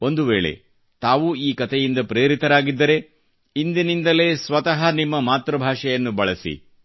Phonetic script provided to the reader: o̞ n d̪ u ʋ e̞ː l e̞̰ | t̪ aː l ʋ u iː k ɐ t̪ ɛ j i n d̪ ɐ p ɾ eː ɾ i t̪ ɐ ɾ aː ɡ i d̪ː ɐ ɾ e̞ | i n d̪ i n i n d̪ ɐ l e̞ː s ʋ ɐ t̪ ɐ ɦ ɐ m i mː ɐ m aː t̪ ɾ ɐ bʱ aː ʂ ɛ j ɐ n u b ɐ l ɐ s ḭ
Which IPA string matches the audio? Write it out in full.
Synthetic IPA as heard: o̞ n d̪ u ʋ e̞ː ɭ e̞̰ | t̪ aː ʋ u iː k ɐ t̪ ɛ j i n d̪ ɐ p ɾ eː ɾ i t̪ ɐ ɾ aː ɡ i d̪ː ɐ ɾ e̞ | i n d̪ i n i n d̪ ɐ l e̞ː s ʋ ɐ t̪ ɐ ɦ ɐ n i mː ɐ m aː t̪ ɾ ɐ bʱ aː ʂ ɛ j ɐ nː u b ɐ ɭ ɐ s ḭ